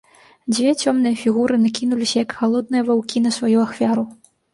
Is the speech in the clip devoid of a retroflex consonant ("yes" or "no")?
yes